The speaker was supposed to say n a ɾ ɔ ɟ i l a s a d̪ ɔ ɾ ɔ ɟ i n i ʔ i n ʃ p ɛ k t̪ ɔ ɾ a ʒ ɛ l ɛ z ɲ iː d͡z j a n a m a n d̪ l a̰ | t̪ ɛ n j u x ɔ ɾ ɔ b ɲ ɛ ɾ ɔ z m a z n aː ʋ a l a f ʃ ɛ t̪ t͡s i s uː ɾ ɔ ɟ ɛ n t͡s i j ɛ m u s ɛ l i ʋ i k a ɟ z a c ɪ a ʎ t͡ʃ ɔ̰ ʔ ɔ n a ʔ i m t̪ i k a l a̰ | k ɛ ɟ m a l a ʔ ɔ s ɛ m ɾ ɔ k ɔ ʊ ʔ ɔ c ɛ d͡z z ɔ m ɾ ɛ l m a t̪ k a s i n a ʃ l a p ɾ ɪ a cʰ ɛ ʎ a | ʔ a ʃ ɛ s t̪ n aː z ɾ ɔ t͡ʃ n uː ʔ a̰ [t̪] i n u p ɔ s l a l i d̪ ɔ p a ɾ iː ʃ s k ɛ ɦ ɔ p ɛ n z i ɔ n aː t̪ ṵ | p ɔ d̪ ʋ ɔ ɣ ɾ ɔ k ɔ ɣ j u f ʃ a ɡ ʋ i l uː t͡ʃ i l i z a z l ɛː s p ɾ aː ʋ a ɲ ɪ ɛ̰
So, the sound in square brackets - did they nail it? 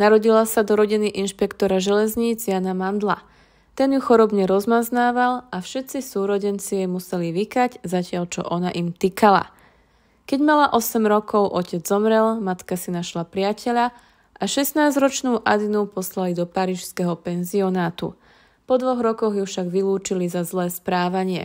no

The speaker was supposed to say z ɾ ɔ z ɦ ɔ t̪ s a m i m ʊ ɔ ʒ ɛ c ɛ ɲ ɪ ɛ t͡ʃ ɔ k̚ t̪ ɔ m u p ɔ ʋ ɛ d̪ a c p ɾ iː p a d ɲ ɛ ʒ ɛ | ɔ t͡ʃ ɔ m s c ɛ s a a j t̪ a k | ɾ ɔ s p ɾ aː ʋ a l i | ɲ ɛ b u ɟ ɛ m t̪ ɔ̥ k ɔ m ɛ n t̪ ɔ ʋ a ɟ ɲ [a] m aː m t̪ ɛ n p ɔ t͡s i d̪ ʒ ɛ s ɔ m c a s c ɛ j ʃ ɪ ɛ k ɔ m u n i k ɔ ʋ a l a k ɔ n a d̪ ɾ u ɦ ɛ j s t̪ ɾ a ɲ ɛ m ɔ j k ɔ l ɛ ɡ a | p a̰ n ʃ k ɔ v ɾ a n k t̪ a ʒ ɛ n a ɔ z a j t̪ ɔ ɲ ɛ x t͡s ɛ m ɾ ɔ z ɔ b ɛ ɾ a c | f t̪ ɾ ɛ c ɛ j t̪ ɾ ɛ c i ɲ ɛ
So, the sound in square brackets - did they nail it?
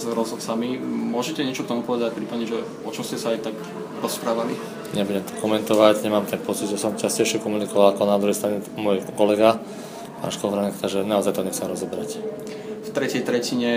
no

